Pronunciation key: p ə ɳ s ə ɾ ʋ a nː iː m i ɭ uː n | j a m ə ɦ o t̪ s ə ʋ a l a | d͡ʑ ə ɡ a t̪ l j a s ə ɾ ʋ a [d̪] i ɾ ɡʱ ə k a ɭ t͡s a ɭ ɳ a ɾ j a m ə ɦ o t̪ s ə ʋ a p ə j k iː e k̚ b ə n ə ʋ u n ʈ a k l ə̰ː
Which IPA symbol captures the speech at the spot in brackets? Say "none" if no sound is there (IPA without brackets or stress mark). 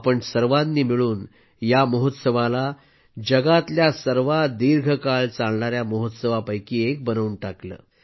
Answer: d̪